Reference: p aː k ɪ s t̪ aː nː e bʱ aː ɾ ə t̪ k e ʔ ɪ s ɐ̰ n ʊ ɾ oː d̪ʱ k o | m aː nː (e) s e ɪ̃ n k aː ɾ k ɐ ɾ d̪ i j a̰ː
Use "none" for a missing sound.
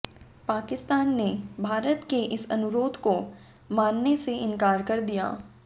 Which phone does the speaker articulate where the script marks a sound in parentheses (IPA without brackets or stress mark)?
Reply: e